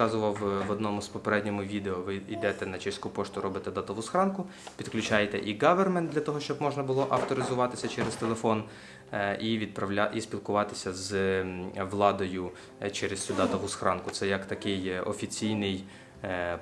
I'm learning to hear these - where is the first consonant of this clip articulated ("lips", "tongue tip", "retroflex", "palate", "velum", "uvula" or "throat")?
tongue tip